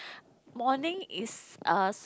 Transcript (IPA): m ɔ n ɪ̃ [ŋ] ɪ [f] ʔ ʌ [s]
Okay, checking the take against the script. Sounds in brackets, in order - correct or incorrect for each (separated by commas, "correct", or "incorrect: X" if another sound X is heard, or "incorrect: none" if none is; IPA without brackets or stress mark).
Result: correct, incorrect: s, correct